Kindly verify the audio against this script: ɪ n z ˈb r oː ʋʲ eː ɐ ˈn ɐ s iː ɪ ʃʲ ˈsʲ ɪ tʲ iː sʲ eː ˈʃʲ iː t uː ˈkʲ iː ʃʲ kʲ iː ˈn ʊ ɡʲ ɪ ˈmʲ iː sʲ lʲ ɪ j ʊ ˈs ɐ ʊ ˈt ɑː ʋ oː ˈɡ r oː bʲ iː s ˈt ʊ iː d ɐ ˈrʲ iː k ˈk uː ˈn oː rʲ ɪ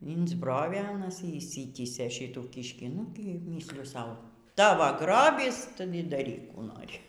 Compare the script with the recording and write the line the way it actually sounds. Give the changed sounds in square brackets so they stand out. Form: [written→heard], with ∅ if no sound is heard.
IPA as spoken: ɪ n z ˈb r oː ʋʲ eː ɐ ˈn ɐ s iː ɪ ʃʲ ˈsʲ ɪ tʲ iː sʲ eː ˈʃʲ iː t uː ˈkʲ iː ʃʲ kʲ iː ˈn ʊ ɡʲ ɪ ˈmʲ iː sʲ lʲ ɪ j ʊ ˈs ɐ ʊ ˈt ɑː ʋ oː ˈɡ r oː bʲ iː s ˈt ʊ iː d ɐ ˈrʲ iː k ˈk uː ˈn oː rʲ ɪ